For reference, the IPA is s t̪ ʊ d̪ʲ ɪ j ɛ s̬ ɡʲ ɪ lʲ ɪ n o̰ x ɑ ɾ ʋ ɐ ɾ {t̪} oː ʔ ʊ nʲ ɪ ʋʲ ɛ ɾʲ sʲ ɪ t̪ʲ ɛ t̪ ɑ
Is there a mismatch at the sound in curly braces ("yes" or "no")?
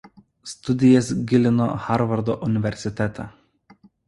yes